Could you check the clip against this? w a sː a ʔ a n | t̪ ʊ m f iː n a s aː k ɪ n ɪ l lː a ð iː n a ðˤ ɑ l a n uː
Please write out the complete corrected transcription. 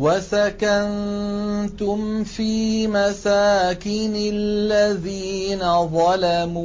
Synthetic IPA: w a s a k a n | t̪ ʊ m f iː m a s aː k ɪ n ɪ l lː a ð iː n a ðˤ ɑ l a m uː